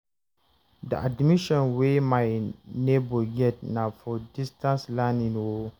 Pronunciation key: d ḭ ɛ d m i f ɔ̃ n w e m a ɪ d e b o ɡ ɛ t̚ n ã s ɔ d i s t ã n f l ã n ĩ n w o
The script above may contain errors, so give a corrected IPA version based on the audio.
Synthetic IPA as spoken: d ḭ a d m i ʃ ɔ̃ n w e m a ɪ n e b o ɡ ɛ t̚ n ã f ɔ d i s t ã n s l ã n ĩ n w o